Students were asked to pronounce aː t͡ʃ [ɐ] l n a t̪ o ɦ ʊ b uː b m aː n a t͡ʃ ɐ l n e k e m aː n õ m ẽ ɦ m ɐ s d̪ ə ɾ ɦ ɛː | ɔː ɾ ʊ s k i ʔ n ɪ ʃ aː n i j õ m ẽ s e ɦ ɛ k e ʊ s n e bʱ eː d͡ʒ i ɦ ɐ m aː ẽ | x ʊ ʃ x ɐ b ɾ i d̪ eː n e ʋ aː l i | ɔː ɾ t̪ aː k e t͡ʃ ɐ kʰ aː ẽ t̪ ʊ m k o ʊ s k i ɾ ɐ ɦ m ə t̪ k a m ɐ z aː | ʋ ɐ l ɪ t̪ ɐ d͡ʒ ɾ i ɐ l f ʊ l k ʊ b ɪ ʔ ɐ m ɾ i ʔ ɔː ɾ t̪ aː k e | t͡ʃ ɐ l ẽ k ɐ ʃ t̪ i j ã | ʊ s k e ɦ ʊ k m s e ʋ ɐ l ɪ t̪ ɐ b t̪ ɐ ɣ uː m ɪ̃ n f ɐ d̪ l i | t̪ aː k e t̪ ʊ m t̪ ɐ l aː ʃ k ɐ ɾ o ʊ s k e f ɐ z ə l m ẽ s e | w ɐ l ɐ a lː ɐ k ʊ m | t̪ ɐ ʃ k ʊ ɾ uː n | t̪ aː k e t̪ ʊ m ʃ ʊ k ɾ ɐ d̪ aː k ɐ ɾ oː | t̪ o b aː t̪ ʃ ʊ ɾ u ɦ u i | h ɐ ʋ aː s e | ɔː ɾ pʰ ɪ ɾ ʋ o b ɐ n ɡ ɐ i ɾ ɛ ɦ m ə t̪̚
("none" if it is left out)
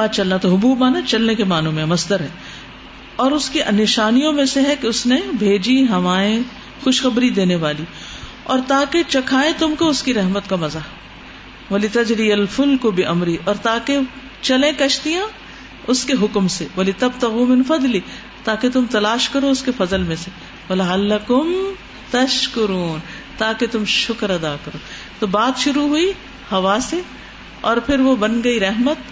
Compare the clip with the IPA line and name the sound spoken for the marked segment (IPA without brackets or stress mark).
ɐ